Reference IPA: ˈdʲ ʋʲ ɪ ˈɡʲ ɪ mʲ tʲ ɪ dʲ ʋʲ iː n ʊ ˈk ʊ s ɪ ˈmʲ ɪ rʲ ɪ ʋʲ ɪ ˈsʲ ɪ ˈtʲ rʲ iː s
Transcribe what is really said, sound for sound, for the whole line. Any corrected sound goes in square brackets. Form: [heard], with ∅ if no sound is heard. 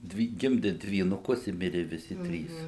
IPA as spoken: ˈdʲ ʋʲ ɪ ˈɡʲ ɪ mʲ [dʲ] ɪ dʲ ʋʲ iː n ʊ ˈk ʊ s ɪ ˈmʲ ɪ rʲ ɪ ʋʲ ɪ ˈsʲ ɪ ˈtʲ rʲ iː s

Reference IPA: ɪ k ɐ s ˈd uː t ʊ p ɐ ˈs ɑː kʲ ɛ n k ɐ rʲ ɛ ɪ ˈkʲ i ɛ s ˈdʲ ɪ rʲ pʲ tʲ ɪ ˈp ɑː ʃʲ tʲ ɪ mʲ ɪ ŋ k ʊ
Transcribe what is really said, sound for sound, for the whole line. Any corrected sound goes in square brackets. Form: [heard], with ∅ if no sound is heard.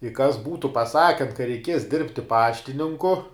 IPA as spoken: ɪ k ɐ s [ˈb] uː t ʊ p ɐ ˈs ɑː kʲ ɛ n k ɐ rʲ ɛ ɪ ˈkʲ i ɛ s ˈdʲ ɪ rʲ pʲ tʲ ɪ ˈp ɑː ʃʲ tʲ ɪ [nʲ] ɪ ŋ k ʊ

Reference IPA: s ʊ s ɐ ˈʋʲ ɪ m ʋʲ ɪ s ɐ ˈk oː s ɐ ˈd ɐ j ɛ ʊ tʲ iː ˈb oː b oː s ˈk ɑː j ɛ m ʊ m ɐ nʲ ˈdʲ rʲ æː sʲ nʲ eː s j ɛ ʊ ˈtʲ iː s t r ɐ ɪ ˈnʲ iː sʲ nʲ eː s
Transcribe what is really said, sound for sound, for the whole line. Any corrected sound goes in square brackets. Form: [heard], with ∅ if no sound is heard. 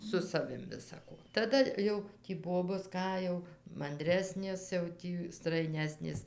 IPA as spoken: s ʊ s ɐ ˈʋʲ ɪ m ʋʲ ɪ s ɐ ˈk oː [t] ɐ ˈd ɐ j ɛ ʊ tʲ iː ˈb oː b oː s ˈk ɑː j ɛ [∅] ʊ m ɐ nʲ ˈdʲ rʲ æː sʲ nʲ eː s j ɛ ʊ ˈtʲ iː s t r ɐ ɪ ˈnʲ [æː] sʲ nʲ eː s

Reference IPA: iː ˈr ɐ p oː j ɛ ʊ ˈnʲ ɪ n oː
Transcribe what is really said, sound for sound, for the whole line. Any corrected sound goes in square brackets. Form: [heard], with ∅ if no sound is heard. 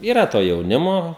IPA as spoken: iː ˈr ɐ [t] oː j ɛ ʊ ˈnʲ ɪ [m] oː

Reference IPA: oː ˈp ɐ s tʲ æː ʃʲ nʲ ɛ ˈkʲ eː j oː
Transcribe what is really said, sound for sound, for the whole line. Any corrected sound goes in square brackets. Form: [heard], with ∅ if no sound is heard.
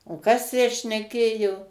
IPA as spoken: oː [ˈk] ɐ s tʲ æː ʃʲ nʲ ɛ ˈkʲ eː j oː

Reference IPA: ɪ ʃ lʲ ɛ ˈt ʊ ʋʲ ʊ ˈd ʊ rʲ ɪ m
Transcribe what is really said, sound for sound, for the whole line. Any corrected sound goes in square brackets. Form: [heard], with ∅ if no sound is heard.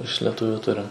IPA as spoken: ɪ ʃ lʲ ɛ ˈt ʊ ʋʲ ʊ [ˈt] ʊ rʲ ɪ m

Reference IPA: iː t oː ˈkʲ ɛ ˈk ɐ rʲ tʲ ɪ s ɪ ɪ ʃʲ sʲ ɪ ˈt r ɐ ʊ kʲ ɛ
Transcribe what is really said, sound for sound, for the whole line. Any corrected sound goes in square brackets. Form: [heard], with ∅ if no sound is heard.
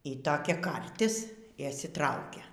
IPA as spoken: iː t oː ˈkʲ ɛ ˈk ɐ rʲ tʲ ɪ s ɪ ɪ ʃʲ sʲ ɪ ˈt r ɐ ʊ kʲ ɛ

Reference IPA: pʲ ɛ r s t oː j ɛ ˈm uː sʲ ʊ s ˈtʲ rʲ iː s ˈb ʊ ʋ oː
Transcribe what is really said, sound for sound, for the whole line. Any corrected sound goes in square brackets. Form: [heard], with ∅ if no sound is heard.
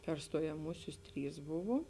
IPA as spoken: pʲ ɛ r s t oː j ɛ ˈm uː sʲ ʊ s ˈtʲ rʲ iː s ˈb ʊ ʋ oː

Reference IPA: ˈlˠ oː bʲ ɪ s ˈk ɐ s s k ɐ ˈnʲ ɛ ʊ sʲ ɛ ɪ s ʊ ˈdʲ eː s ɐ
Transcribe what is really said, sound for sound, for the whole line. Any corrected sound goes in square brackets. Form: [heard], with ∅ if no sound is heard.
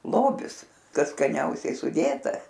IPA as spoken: ˈlˠ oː bʲ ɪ s ˈk ɐ s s k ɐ ˈnʲ ɛ ʊ sʲ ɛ ɪ s ʊ ˈdʲ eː [t] ɐ

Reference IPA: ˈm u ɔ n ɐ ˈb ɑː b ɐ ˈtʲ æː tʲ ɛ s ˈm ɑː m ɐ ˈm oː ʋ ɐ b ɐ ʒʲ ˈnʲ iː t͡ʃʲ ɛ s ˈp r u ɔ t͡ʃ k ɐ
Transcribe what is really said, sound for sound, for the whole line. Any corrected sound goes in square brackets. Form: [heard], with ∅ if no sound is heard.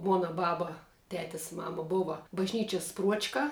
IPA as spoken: ˈm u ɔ n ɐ ˈb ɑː b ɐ ˈtʲ æː tʲ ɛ s ˈm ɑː m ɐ [ˈb] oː ʋ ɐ b ɐ ʒʲ ˈnʲ iː t͡ʃʲ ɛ s ˈp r u ɔ t͡ʃ k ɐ

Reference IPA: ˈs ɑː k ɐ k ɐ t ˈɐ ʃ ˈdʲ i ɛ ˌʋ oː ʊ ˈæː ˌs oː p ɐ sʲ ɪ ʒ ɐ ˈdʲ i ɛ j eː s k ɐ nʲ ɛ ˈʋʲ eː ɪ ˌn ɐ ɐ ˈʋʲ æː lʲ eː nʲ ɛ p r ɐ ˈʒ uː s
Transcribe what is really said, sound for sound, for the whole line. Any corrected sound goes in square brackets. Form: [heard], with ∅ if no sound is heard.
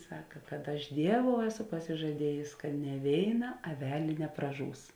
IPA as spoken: ˈs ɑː k ɐ k ɐ t ˈɐ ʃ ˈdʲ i ɛ ˌʋ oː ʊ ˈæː ˌs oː p ɐ sʲ ɪ ʒ ɐ ˈdʲ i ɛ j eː s k ɐ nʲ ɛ ˈʋʲ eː ɪ ˌn ɐ ɐ ˈʋʲ æː lʲ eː nʲ ɛ p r ɐ ˈʒ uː s

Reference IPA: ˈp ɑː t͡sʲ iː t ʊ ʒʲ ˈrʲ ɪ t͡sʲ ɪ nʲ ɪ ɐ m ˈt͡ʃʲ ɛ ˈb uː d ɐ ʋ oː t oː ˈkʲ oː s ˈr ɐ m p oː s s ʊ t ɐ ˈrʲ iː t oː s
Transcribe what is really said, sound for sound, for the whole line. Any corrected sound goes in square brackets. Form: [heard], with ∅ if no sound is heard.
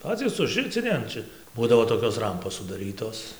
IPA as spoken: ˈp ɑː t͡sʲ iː [s] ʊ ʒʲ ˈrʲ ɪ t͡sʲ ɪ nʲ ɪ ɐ [n] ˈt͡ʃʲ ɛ ˈb uː d ɐ ʋ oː t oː ˈkʲ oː s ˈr ɐ m p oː s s ʊ [d] ɐ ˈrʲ iː t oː s

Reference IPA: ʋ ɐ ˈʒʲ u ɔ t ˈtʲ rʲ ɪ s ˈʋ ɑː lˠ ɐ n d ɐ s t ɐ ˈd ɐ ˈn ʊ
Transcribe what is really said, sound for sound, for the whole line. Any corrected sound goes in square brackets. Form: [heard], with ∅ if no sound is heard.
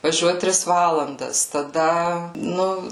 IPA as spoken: ʋ ɐ ˈʒʲ u ɔ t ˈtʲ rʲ ɪ s ˈʋ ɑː lˠ ɐ n d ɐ s t ɐ ˈd ɐ ˈn ʊ

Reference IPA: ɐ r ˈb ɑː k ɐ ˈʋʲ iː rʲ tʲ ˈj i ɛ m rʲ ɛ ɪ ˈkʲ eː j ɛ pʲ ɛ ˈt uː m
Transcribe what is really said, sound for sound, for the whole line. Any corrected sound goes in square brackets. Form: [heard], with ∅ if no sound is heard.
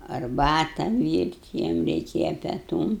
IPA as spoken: ɐ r ˈb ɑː [t] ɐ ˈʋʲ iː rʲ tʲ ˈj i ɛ m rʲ ɛ ɪ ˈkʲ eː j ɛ pʲ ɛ ˈt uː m

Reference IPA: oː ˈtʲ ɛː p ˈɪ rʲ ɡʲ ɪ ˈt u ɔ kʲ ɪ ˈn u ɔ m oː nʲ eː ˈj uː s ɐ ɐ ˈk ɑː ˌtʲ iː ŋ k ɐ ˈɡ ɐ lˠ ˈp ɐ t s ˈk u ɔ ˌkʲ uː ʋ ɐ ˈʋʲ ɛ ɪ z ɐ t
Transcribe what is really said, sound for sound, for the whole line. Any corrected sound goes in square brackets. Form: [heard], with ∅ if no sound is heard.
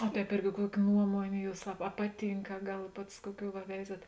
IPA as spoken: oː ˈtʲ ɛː p ˈɪ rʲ ɡʲ ɪ [ˈk] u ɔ kʲ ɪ ˈn u ɔ m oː nʲ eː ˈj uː s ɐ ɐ [ˈp] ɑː ˌtʲ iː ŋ k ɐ ˈɡ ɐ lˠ ˈp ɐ t s ˈk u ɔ ˌkʲ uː ʋ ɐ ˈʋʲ ɛ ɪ z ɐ t

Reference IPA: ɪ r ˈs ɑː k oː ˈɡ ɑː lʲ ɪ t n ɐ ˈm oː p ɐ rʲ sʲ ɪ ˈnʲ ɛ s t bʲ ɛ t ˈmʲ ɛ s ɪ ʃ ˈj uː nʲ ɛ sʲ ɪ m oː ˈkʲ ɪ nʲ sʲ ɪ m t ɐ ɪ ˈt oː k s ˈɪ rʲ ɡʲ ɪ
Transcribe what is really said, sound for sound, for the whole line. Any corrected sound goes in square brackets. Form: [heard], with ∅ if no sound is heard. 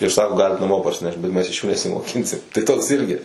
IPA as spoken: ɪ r ˈs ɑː k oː ˈɡ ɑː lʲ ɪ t n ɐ ˈm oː p ɐ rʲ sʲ ɪ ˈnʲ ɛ [ʃ] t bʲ ɛ t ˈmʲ ɛ s ɪ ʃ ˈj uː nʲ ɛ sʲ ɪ m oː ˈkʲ ɪ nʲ sʲ ɪ m t ɐ ɪ ˈt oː k s ˈɪ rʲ ɡʲ ɪ

